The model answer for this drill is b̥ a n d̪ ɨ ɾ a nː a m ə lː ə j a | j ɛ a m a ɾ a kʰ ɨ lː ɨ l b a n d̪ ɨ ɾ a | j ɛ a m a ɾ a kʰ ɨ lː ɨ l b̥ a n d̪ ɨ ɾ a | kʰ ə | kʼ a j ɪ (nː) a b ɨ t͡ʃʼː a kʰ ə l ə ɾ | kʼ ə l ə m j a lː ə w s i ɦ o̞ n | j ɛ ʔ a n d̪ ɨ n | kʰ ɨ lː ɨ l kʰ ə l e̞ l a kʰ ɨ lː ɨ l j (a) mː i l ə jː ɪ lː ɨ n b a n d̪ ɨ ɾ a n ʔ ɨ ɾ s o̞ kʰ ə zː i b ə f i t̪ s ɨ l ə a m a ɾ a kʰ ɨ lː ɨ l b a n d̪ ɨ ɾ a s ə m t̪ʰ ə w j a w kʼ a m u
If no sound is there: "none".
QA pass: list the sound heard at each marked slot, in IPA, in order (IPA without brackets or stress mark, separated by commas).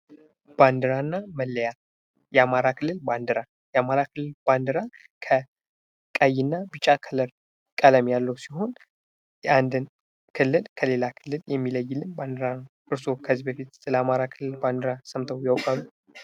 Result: nː, ɛ